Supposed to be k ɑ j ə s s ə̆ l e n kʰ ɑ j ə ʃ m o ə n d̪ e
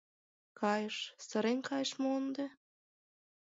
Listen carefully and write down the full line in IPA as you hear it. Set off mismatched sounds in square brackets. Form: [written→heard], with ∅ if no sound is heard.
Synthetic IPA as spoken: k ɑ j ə [s→ʃ] s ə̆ [l→ɾ] e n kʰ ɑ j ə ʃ m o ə n d̪ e